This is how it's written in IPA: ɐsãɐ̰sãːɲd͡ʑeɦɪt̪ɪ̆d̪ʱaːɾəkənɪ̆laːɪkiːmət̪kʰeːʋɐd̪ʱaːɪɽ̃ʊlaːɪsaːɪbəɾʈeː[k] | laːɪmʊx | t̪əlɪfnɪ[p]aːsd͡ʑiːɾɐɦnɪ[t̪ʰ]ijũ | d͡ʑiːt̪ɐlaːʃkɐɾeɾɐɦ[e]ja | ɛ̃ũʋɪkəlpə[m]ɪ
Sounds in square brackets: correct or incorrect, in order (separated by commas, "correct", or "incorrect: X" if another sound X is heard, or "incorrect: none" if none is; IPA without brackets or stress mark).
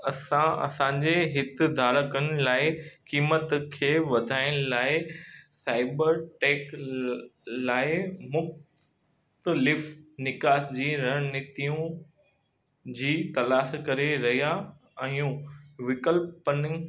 correct, incorrect: k, incorrect: t̪, incorrect: i, incorrect: n